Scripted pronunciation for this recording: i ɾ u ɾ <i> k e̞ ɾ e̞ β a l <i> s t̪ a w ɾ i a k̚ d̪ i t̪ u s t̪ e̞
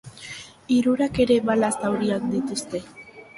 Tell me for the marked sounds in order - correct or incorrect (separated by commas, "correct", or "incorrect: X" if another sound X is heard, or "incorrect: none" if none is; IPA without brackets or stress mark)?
incorrect: a, incorrect: a